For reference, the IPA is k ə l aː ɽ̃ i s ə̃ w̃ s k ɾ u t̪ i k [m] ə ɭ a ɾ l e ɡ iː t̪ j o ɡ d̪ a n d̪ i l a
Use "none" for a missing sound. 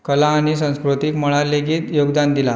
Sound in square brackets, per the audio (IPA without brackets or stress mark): m